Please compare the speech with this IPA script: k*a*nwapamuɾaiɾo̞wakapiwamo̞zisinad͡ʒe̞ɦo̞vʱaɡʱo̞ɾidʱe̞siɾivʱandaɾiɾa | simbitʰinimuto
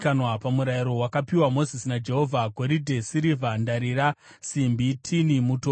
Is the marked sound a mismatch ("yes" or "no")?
no